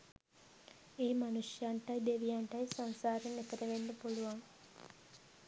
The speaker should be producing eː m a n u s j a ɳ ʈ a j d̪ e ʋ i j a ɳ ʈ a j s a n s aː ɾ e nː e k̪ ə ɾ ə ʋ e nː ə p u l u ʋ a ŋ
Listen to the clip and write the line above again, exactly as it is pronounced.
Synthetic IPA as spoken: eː m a n u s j a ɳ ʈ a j d̪ e ʋ i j a ɳ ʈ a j s a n s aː ɾ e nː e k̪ ə ɾ ə ʋ e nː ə p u l u ʋ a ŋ